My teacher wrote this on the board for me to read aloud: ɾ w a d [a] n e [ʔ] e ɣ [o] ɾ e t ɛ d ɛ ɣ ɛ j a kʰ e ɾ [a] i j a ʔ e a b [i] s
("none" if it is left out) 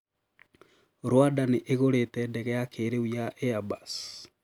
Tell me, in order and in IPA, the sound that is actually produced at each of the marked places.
a, ʔ, o, e, a

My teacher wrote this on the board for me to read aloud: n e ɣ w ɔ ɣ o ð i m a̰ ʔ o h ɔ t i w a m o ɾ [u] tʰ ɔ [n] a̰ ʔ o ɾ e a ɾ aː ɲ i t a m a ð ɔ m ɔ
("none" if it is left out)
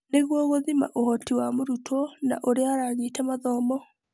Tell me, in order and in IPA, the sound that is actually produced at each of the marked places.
u, n

